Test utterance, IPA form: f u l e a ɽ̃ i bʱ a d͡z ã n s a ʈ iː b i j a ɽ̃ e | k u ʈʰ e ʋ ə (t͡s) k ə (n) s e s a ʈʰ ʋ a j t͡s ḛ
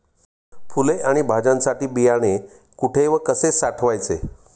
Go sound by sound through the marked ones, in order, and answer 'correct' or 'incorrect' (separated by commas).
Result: incorrect, incorrect